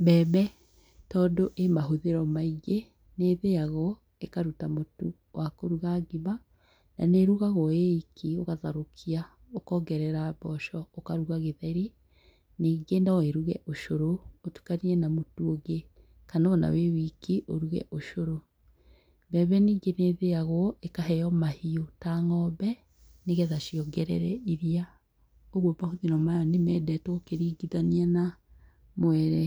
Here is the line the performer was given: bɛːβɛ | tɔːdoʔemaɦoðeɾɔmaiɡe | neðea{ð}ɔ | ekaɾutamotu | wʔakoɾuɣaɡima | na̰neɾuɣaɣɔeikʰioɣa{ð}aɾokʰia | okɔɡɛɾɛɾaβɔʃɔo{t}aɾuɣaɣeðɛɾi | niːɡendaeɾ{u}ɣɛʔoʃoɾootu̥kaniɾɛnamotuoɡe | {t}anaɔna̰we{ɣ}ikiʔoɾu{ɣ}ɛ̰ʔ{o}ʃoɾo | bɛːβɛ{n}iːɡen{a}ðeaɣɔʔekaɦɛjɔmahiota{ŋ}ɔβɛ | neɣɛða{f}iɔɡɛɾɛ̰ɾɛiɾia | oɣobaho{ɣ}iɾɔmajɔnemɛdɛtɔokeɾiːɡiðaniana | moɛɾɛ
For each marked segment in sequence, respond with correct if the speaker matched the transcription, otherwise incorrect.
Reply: incorrect, correct, incorrect, correct, incorrect, incorrect, correct, correct, correct, incorrect, correct, incorrect, incorrect

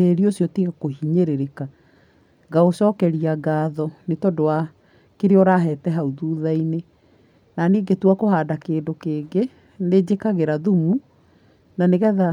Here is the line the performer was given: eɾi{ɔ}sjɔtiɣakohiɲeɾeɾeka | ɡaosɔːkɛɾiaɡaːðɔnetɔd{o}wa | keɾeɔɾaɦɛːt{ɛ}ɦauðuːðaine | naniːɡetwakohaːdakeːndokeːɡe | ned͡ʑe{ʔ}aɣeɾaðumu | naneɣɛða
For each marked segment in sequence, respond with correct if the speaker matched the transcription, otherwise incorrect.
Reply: incorrect, correct, correct, incorrect

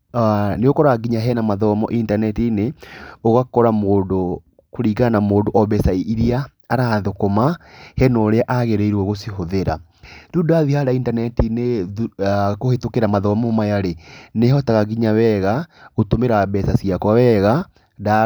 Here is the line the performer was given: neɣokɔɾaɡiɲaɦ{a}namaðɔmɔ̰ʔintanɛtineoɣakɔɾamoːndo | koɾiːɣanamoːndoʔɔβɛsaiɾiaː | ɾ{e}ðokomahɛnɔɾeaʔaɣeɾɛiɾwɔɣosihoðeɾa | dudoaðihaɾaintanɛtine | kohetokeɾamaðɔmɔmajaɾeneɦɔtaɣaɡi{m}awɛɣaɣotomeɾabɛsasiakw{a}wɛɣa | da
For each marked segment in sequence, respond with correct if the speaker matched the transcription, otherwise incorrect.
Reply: incorrect, incorrect, incorrect, correct

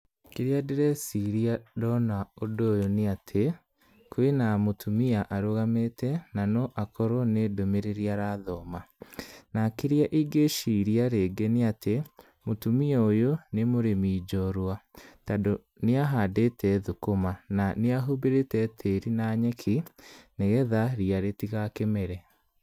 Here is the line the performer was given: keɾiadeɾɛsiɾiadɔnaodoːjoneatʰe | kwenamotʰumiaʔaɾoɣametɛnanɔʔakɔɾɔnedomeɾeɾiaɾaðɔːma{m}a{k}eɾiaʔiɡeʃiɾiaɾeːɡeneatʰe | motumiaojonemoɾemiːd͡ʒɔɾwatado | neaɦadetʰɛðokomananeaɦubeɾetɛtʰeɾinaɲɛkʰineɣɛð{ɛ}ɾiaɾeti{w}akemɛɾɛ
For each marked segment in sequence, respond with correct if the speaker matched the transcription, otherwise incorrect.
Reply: incorrect, correct, incorrect, incorrect

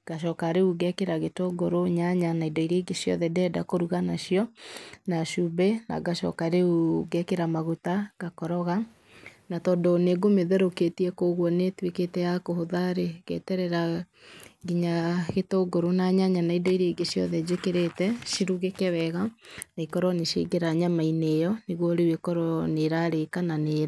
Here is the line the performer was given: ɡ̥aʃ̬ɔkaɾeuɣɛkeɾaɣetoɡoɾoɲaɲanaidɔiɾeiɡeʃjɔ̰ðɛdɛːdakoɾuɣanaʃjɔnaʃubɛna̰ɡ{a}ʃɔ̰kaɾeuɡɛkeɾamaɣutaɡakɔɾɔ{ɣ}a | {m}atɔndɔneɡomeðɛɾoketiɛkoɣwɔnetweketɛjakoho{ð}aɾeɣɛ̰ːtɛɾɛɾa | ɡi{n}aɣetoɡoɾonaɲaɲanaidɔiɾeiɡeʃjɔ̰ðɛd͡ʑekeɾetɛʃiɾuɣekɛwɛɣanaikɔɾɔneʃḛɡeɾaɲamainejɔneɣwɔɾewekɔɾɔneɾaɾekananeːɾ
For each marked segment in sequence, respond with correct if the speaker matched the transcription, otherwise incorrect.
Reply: correct, correct, incorrect, correct, incorrect

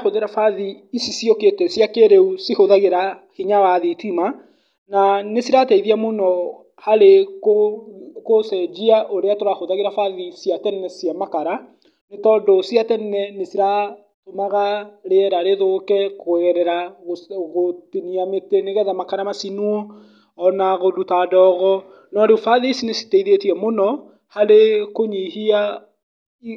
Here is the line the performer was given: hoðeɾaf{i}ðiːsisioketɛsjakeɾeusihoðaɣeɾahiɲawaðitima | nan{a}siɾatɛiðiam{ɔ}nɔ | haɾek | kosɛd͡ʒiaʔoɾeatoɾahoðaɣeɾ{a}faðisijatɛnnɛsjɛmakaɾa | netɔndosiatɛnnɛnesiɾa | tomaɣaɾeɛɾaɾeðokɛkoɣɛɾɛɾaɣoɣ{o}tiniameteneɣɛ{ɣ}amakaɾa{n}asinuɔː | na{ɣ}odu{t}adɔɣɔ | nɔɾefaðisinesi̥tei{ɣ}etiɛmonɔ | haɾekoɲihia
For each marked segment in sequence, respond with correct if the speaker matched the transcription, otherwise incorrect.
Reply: incorrect, incorrect, incorrect, correct, correct, incorrect, incorrect, correct, correct, incorrect

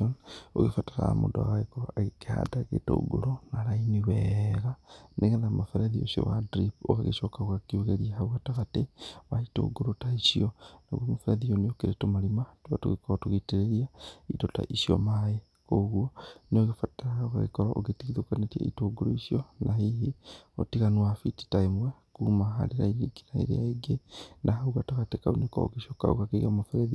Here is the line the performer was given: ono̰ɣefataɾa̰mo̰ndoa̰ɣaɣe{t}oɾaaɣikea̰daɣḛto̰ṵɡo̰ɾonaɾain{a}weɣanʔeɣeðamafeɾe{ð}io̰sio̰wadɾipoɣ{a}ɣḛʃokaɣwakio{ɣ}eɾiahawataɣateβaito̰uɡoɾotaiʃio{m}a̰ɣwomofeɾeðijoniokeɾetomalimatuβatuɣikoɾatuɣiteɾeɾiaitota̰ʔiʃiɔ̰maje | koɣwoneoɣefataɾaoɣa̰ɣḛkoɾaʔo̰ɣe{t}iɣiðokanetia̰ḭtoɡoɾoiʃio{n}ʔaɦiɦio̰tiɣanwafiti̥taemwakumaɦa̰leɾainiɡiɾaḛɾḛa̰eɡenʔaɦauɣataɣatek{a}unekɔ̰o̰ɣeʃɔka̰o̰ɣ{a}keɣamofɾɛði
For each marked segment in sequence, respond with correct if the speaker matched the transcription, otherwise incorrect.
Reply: incorrect, incorrect, correct, correct, correct, incorrect, correct, correct, correct, correct

